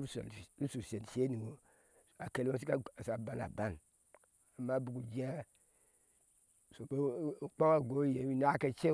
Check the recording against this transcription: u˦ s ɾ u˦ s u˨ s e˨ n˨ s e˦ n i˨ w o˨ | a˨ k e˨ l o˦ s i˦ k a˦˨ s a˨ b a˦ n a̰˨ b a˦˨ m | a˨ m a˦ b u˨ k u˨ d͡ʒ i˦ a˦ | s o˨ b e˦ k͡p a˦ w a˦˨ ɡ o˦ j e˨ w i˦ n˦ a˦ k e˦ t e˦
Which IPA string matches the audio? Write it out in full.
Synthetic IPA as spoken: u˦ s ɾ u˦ s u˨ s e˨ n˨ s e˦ n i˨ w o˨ | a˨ k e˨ l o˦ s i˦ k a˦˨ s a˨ b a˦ n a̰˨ b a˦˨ n | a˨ m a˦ b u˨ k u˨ d͡ʒ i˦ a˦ | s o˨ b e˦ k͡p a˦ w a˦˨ ɡ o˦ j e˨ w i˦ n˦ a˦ k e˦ t͡ʃ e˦

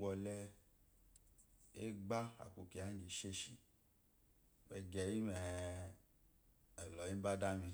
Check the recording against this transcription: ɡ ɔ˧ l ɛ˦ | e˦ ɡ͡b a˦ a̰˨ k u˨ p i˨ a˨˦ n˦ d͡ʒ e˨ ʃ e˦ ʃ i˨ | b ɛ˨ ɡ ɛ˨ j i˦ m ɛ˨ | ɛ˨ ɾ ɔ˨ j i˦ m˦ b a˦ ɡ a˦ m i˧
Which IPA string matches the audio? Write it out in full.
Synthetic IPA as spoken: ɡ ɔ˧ l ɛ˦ | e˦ ɡ͡b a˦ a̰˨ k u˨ k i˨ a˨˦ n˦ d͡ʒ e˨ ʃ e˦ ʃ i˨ | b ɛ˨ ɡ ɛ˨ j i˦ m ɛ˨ | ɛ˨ l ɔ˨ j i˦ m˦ b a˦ d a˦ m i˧

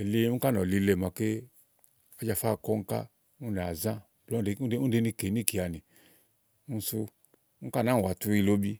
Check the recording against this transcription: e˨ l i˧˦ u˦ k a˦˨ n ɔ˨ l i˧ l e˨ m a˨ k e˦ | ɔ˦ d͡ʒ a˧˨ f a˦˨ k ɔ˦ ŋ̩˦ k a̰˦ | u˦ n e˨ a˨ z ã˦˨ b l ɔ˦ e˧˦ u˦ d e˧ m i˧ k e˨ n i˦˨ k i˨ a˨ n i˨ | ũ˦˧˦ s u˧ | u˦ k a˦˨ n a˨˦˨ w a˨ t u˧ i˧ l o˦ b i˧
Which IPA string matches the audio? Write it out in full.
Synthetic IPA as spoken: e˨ l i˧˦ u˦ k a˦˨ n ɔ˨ l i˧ l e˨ m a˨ k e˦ | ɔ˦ d͡ʒ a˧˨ f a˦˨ k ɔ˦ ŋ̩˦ k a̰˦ | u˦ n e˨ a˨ z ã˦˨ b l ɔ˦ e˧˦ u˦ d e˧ n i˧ k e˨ n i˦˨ k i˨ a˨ n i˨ | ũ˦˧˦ s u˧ | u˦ k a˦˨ n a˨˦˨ w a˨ t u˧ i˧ l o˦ b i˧

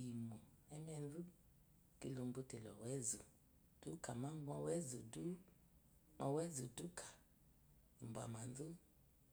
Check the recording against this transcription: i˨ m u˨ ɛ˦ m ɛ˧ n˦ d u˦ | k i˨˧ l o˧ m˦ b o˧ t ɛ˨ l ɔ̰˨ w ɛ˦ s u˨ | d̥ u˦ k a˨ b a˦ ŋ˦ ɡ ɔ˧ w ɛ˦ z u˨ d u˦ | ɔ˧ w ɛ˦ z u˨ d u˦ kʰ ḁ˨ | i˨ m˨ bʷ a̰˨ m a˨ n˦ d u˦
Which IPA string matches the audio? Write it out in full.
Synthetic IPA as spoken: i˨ m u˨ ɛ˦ m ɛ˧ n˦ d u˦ | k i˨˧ l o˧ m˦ b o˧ t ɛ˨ l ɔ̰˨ w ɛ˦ z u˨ | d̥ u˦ k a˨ m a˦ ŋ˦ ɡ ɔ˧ w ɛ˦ z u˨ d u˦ | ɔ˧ w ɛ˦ z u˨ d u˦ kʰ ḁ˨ | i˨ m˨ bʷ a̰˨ m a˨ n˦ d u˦

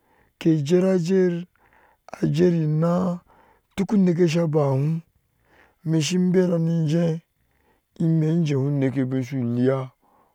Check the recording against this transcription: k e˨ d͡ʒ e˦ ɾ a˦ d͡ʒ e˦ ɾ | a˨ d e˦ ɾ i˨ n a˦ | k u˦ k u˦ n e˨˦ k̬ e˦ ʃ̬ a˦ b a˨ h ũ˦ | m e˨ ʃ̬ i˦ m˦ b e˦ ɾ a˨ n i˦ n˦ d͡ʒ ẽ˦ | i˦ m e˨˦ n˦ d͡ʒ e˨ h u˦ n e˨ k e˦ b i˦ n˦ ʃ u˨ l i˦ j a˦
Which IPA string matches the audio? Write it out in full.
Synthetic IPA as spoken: k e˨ d͡ʒ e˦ ɾ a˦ d͡ʒ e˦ ɾ | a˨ d͡ʒ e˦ ɾ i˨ n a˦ | t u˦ k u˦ n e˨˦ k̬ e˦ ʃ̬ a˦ b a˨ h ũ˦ | m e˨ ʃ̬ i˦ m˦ b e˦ ɾ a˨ n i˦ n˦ d͡ʒ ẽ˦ | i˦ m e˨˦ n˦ d͡ʒ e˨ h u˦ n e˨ k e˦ b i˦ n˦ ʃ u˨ l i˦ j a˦

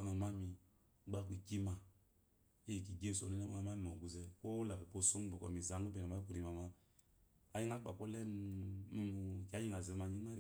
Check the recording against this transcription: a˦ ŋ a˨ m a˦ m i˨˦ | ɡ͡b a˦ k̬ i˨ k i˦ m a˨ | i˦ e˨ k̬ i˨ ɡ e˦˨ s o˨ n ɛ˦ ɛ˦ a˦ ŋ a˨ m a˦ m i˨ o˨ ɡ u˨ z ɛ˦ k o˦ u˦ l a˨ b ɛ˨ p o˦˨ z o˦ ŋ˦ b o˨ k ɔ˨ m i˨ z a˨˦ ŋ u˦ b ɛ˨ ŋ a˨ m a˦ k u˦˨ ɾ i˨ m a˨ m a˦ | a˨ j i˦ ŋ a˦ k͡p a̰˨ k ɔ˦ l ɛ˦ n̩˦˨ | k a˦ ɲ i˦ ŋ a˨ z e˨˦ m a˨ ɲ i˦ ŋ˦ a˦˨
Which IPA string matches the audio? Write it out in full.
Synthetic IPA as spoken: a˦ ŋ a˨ m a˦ m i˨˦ | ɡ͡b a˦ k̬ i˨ k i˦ m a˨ | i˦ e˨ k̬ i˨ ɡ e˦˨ s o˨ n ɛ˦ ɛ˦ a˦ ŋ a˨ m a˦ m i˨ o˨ ɡ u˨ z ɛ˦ k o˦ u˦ l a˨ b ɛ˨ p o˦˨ s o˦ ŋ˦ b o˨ k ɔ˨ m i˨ z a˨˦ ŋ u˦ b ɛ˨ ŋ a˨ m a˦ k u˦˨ ɾ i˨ m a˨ m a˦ | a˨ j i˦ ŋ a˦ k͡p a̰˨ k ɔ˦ l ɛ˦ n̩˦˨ | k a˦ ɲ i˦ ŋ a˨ z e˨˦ m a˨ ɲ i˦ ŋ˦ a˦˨

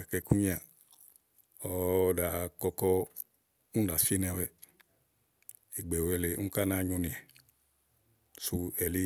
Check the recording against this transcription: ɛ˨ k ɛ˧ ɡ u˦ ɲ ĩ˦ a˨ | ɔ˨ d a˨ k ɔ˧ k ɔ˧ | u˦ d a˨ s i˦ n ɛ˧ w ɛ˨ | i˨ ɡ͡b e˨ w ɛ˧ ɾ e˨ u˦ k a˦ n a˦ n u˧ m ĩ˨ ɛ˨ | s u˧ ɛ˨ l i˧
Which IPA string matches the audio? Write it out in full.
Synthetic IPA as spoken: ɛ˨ k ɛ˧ k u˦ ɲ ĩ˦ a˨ | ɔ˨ d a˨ k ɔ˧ k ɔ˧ | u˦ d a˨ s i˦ n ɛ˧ w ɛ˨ | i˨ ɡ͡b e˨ w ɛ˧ l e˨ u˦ k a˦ n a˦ ɲ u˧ n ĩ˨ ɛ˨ | s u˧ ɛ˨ l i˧

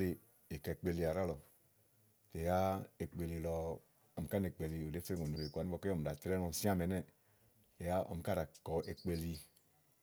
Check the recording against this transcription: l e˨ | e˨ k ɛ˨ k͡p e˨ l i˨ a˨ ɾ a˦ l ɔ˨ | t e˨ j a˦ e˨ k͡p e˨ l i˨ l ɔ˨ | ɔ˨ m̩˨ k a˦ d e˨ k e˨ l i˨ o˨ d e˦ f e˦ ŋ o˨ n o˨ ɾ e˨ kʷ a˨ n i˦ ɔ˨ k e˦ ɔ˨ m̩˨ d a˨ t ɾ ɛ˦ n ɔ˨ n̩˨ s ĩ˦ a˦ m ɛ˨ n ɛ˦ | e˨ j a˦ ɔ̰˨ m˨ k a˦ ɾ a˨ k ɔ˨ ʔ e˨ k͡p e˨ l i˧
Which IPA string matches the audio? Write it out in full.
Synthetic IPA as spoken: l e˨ | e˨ k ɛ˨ k͡p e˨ l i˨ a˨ ɾ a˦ l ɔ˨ | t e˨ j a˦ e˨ k͡p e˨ l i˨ l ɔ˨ | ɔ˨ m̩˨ k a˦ n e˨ k͡p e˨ l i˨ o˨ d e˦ f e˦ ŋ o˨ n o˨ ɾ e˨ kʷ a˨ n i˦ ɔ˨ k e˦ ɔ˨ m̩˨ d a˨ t ɾ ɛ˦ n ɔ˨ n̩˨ s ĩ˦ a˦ m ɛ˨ n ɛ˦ | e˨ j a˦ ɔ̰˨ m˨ k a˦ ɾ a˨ k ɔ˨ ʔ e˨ k͡p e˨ l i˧

